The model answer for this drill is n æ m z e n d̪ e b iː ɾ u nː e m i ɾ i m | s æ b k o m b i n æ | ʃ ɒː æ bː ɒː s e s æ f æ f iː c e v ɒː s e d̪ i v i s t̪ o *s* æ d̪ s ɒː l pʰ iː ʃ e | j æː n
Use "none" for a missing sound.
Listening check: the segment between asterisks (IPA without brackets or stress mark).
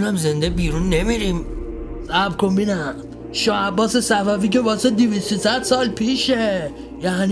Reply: s